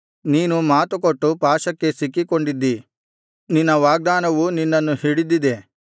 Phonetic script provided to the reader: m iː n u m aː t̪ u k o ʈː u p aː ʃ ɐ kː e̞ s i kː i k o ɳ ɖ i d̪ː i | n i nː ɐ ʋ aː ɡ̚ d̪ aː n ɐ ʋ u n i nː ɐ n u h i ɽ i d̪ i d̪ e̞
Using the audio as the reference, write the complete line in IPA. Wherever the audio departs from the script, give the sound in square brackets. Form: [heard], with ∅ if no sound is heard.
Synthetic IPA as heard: [n] iː n u m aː t̪ u k o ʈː u p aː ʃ ɐ kː e̞ s i kː i k o ɳ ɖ i d̪ː i | n i nː ɐ ʋ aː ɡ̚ d̪ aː n ɐ ʋ u n i nː ɐ [nː] u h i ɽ i d̪ i d̪ e̞